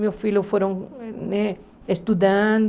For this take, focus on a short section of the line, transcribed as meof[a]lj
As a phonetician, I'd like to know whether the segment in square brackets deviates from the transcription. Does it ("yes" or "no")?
yes